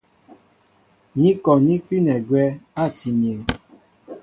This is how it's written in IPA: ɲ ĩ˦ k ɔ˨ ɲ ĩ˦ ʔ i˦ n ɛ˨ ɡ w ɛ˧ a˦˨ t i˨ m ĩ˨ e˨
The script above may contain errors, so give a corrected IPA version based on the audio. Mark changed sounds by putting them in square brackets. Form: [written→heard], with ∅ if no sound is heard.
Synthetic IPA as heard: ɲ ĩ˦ k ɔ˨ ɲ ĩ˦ [ʔ→k] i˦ n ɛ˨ ɡ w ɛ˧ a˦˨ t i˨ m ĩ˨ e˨